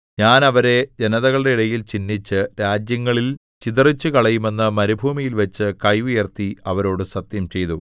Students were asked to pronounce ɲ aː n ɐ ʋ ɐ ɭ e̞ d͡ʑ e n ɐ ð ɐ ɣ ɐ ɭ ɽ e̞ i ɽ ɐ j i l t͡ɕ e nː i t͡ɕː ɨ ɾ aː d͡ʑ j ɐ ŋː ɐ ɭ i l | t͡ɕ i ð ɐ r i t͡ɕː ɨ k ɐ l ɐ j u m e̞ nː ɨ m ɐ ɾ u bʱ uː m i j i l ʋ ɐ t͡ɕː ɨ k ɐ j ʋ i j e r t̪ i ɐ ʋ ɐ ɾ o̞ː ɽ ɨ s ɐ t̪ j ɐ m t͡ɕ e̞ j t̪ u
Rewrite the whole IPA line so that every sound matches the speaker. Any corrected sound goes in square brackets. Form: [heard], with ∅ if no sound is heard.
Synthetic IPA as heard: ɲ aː n ɐ ʋ ɐ [ɾ] e̞ d͡ʑ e n ɐ ð ɐ ɣ ɐ ɭ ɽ e̞ i ɽ ɐ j i l t͡ɕ [i] nː i t͡ɕː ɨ ɾ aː d͡ʑ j ɐ ŋː ɐ ɭ i l | t͡ɕ i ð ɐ r i t͡ɕː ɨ k ɐ [ɭ] ɐ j u m e̞ nː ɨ m ɐ ɾ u bʱ uː m i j i l ʋ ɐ t͡ɕː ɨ k ɐ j ʋ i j e r t̪ i ɐ ʋ ɐ ɾ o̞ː ɽ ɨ s ɐ t̪ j ɐ m t͡ɕ e̞ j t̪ u